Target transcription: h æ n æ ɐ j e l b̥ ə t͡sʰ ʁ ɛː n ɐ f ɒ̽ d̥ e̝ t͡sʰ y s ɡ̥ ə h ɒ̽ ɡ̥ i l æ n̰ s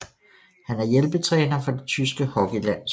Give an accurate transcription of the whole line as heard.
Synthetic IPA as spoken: h æ n æ ɐ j e l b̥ ə t͡sʰ ʁ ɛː n ɐ f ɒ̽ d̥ e̝ t͡sʰ y s ɡ̥ ə h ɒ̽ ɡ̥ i l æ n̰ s